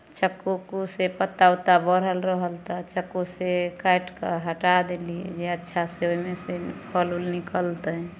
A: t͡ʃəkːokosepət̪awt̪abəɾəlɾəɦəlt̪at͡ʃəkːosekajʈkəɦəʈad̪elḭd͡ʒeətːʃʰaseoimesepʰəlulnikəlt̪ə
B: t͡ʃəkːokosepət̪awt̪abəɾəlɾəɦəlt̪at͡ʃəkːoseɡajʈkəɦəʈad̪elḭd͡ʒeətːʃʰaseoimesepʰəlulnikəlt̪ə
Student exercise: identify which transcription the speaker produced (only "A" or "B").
A